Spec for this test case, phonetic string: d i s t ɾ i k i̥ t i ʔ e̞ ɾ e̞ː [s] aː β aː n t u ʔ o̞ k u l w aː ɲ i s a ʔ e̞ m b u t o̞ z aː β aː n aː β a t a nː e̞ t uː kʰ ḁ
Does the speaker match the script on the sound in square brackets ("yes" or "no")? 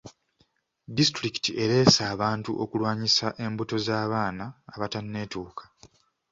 yes